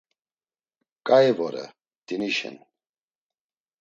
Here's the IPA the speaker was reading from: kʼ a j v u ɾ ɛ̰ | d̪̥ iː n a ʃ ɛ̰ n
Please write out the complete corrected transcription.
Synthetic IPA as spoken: kʼ a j v ɔ ɾ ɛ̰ | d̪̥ i n i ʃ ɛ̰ n